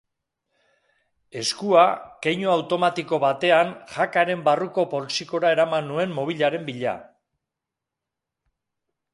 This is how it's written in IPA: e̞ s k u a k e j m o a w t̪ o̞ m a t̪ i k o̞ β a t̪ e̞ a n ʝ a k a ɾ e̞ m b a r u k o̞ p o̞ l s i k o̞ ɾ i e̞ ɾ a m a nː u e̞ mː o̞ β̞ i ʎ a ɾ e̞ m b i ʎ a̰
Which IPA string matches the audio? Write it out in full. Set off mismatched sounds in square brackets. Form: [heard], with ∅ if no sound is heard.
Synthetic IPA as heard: e̞ s k u a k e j [ɲ] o a w t̪ o̞ m a t̪ i k o̞ β a t̪ e̞ a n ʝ a k a ɾ e̞ m b a r u k o̞ p o̞ l s i k o̞ ɾ [a] e̞ ɾ a m a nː u e̞ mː o̞ β̞ i ʎ a ɾ e̞ m b i ʎ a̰

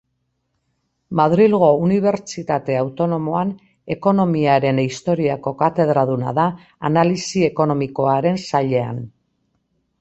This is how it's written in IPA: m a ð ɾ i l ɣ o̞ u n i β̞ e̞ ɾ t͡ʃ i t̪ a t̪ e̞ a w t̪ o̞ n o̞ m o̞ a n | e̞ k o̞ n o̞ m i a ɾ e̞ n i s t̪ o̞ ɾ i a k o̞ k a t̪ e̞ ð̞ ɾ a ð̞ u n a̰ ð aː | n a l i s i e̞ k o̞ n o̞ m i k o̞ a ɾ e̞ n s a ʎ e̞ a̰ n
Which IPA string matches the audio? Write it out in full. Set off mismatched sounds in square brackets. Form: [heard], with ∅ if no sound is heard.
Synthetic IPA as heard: m a ð ɾ i l ɣ o̞ u n i β̞ e̞ ɾ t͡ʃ i t̪ a t̪ e̞ a w t̪ o̞ n o̞ m o̞ a n | e̞ k o̞ n o̞ m i a ɾ e̞ n i s t̪ o̞ ɾ i a k o̞ k a t̪ e̞ ð̞ ɾ a ð̞ u n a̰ ð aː | n a l i s i e̞ k o̞ n o̞ m i k o̞ a ɾ e̞ n s a ʎ e̞ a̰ n

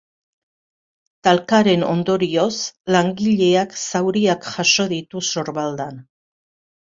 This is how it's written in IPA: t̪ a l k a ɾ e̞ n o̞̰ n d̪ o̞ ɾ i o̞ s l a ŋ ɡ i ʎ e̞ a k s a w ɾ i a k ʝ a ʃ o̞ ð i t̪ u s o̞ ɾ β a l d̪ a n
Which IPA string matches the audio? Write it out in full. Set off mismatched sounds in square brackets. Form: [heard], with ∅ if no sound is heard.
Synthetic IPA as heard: t̪ a l k a ɾ e̞ n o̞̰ n d̪ o̞ ɾ i o̞ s l a ŋ ɡ i ʎ e̞ a k s a w ɾ i a k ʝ a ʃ o̞ ð i t̪ u s o̞ ɾ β a l d̪ a n

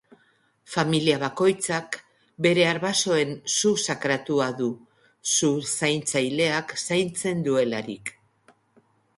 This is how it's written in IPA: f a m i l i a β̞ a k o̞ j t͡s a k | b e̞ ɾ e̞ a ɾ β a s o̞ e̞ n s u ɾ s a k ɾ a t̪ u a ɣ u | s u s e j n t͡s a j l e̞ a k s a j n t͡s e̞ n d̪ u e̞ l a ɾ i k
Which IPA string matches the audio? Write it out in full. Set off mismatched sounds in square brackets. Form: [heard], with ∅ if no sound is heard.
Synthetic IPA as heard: f a m i l i a β̞ a k o̞ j t͡s a k | b e̞ ɾ e̞ a ɾ β a s o̞ e̞ n s u [∅] s a k ɾ a t̪ u a [ð] u | s u s [a] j n t͡s a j l e̞ a k s a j n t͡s e̞ n d̪ u e̞ l a ɾ i k

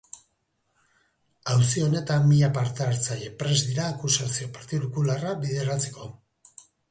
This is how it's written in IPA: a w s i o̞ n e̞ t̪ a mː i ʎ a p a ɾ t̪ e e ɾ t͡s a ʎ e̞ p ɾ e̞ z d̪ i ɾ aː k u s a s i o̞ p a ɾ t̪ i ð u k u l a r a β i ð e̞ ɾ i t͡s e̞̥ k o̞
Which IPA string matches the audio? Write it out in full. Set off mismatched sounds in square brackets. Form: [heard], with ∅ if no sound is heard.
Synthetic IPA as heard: a w s i o̞ n e̞ t̪ a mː i ʎ a p a ɾ t̪ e [a] ɾ t͡s a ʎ e̞ p ɾ e̞ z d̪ i ɾ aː k u s a s i o̞ p a ɾ t̪ i ð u k u l a r a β i ð e̞ ɾ [a] t͡s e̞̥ k o̞

